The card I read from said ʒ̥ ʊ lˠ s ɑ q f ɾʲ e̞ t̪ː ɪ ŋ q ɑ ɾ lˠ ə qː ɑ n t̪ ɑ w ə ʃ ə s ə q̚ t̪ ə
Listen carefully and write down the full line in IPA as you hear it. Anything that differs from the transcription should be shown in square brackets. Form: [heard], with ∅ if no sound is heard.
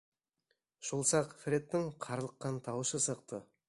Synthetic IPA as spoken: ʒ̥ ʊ lˠ s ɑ q f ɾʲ e̞ t̪ː ɪ ŋ [qʰ] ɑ ɾ lˠ ə qː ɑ n [t̪ʰ] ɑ w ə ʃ ə s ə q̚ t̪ ə